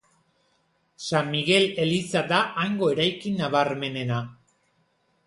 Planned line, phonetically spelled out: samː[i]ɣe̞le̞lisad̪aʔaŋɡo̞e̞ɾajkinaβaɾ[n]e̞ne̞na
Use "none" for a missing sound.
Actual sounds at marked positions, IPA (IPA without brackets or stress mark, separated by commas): i, m